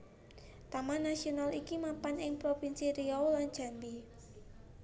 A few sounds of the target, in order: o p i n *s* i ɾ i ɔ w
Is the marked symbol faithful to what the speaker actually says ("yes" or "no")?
yes